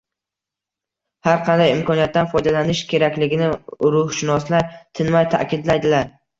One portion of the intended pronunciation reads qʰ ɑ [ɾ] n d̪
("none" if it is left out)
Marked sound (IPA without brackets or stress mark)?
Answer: none